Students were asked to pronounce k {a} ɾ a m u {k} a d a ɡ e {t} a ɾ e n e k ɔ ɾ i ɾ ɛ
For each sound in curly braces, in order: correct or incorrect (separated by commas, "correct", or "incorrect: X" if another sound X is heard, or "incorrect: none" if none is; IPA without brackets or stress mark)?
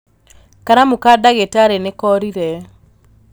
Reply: correct, correct, correct